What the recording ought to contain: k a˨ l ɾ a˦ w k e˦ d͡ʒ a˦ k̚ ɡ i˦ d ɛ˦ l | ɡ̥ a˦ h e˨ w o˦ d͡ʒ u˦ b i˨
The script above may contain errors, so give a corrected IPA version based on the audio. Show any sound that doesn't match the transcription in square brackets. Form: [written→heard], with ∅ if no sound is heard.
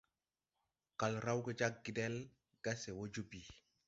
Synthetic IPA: k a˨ l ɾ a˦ w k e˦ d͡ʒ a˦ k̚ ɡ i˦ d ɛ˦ l | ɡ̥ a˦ [h→s] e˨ w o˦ d͡ʒ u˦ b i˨